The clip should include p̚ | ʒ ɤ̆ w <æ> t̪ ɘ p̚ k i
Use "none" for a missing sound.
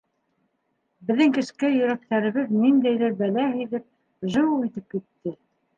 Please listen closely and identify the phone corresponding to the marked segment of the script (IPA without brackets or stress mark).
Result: i